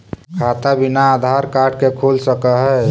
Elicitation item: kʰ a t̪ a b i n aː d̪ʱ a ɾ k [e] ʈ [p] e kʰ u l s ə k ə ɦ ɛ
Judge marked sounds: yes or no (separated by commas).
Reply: no, no